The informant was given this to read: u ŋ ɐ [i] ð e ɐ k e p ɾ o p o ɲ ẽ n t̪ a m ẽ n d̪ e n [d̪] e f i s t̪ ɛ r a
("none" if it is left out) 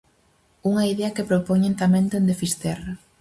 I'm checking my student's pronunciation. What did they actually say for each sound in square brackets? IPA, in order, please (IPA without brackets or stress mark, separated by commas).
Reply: i, d̪